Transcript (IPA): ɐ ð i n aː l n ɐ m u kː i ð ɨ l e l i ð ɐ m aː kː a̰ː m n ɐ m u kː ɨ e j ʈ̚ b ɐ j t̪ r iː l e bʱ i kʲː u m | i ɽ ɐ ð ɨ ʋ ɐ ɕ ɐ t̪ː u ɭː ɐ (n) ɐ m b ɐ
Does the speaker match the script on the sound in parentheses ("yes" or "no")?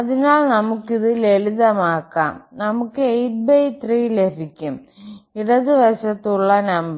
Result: yes